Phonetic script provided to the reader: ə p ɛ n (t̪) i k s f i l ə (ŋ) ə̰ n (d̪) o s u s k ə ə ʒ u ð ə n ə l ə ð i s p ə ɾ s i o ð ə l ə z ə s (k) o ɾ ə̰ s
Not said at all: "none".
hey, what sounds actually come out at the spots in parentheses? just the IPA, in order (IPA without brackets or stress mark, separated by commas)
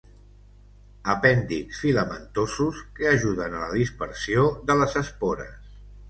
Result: d̪, m, t̪, p